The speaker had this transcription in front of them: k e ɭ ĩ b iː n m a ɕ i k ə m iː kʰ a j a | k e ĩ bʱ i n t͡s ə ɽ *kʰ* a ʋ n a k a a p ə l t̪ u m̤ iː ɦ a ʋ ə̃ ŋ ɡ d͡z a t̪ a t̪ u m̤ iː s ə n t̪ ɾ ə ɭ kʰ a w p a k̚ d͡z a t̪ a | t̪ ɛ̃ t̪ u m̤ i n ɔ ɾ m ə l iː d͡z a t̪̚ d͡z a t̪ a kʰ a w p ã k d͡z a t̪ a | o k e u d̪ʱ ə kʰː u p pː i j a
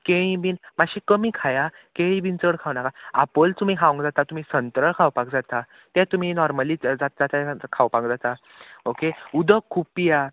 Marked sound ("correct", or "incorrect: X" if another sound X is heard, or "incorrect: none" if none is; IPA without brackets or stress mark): correct